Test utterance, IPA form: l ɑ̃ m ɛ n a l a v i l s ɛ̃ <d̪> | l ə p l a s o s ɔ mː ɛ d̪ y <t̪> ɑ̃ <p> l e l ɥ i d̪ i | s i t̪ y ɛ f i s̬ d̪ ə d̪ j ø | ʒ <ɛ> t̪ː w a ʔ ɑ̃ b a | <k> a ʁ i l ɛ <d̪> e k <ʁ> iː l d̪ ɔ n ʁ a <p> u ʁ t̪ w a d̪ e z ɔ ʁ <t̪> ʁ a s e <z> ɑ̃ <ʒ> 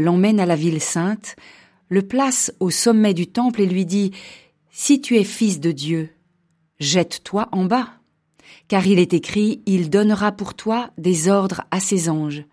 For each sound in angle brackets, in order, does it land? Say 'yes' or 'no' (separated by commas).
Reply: no, yes, yes, yes, yes, no, no, yes, no, yes, yes